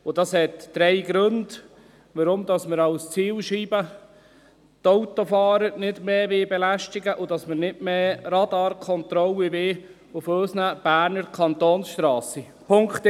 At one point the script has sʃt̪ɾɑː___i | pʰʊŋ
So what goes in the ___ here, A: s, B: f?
A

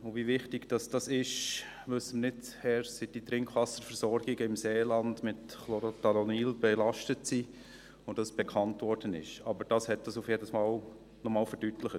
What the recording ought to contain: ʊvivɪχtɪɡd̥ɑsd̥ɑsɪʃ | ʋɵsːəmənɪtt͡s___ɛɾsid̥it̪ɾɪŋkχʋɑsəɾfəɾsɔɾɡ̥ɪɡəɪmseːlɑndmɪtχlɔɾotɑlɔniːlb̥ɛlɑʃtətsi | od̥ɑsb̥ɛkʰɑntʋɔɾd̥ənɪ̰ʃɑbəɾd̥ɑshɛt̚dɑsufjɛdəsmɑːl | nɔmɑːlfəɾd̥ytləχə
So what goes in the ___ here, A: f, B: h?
B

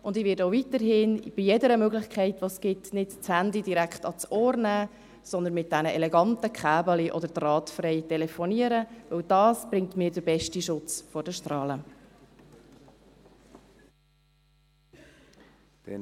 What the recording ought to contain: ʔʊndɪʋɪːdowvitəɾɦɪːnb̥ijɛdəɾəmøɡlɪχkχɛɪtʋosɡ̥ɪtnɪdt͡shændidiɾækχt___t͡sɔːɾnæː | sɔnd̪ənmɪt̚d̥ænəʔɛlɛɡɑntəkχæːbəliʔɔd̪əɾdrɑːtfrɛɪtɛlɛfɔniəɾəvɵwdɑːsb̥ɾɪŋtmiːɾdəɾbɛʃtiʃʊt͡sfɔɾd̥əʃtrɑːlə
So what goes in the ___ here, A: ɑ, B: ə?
A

